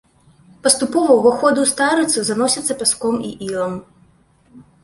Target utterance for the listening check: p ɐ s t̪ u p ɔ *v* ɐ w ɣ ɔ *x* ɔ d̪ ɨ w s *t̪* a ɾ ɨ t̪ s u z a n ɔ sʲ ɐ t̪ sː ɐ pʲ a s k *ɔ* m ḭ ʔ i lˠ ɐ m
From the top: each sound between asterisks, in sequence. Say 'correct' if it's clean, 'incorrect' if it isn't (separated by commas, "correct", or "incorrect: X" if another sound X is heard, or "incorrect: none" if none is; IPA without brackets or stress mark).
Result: correct, correct, correct, correct